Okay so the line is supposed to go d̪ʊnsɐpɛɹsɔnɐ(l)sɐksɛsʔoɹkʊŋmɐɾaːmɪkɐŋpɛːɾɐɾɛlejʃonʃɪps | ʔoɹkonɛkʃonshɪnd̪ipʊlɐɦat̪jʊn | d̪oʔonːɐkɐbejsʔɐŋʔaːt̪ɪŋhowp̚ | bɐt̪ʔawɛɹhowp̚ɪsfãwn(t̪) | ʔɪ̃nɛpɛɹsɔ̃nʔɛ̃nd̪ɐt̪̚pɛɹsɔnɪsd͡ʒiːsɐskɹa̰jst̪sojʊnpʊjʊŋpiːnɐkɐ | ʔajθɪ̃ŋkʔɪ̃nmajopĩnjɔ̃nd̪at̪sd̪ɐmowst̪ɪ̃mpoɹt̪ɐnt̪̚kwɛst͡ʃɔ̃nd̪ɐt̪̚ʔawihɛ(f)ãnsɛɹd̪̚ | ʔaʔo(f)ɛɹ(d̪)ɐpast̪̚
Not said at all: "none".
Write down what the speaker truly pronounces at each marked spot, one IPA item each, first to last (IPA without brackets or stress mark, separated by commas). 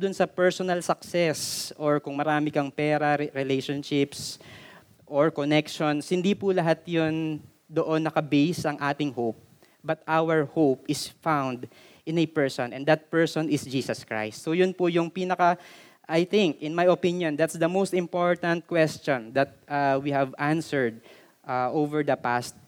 l, d̪, v, v, d̪